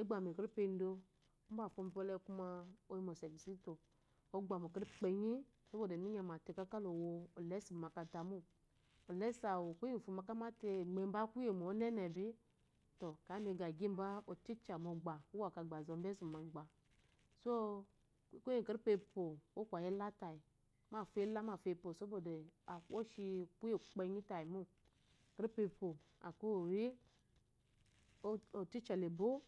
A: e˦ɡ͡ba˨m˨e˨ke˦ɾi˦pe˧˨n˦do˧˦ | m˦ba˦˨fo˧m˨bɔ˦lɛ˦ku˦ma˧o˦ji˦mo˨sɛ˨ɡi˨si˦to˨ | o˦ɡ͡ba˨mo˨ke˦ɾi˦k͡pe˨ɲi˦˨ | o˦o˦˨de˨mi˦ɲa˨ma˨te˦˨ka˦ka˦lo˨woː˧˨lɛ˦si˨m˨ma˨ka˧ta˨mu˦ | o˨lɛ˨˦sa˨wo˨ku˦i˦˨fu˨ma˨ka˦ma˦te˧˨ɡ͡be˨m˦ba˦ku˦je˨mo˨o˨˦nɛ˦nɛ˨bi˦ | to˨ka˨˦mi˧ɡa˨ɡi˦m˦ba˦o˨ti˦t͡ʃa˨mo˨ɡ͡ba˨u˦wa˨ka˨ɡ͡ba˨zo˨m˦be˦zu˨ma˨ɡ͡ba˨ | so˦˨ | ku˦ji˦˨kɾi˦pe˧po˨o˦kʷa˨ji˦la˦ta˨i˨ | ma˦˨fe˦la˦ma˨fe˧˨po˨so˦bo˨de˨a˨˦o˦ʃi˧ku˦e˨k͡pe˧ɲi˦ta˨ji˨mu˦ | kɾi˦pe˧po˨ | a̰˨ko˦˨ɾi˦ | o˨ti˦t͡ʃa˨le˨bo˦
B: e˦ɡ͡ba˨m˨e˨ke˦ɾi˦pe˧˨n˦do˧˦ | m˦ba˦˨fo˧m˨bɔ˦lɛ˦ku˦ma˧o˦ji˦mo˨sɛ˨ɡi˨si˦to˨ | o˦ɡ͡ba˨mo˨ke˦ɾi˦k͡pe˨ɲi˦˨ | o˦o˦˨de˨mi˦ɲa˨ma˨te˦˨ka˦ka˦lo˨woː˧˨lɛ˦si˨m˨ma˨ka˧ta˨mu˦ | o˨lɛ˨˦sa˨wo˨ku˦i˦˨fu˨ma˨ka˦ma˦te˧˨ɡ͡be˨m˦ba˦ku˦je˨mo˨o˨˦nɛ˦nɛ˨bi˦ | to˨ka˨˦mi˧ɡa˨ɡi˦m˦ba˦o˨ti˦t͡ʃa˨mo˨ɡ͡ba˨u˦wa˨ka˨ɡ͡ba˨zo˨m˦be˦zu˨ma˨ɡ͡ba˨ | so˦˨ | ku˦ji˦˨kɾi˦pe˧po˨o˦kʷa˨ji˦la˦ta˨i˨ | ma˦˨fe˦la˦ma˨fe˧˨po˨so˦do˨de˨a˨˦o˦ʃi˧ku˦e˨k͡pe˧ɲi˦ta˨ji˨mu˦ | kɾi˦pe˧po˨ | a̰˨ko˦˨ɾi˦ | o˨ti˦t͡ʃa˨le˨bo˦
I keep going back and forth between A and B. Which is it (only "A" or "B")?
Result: A